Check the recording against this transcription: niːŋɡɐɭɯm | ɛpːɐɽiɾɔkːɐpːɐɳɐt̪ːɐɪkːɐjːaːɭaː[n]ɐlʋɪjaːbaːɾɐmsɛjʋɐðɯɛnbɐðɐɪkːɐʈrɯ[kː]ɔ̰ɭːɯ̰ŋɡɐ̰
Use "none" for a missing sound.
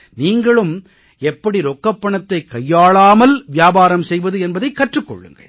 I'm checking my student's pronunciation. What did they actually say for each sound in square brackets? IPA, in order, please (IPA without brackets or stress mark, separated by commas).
m, kː